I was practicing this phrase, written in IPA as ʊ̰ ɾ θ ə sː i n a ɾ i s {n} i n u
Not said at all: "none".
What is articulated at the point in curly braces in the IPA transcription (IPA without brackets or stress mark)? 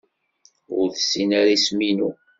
m